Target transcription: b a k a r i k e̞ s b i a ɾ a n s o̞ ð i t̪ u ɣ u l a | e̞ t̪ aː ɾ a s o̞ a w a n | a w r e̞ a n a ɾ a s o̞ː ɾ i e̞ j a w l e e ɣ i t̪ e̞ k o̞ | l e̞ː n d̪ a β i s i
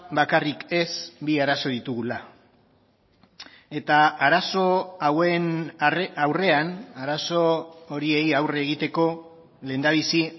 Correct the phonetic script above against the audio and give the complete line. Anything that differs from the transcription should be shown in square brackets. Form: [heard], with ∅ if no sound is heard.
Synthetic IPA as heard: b a k a r i k e̞ s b i a ɾ a [∅] s o̞ ð i t̪ u ɣ u l a | e̞ t̪ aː ɾ a s o̞ a w [e] n | a w r e̞ a n a ɾ a s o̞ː ɾ i e̞ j a w [r] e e ɣ i t̪ e̞ k o̞ | l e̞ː n d̪ a β i s i